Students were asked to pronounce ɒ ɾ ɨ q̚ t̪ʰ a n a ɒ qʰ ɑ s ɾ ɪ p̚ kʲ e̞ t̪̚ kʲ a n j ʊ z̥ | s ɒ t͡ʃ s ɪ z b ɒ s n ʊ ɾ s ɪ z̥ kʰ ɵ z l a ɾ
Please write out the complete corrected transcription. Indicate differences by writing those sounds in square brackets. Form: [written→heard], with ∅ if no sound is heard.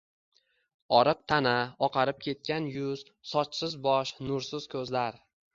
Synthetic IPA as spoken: ɒ ɾ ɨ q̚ t̪ʰ a n a ɒ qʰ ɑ [s→∅] ɾ ɪ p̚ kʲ e̞ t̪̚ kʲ a n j ʊ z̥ | s ɒ t͡ʃ s ɪ z b ɒ [s→ʃ] n ʊ ɾ s ɪ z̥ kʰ ɵ z l a ɾ